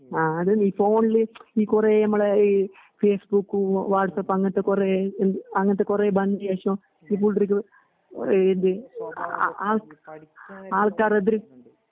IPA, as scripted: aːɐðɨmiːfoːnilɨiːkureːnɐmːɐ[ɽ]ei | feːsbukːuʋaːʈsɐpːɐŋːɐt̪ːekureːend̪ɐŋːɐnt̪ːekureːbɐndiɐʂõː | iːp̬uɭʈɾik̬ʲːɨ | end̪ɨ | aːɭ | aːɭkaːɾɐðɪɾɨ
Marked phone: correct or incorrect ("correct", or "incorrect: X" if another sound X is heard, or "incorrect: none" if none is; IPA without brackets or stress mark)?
incorrect: ɭ